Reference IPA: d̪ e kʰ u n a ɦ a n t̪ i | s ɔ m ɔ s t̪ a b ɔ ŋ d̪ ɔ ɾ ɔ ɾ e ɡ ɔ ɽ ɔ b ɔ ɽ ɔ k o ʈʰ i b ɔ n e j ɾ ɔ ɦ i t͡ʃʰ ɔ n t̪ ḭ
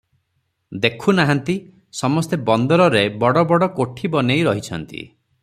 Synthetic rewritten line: d̪ e kʰ u n a ɦ a n t̪ i | s ɔ m ɔ s t̪ e b ɔ n d̪ ɔ ɾ ɔ ɾ e b ɔ ɽ ɔ b ɔ ɽ ɔ k o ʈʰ i b ɔ n e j ɾ ɔ ɦ i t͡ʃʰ ɔ n t̪ ḭ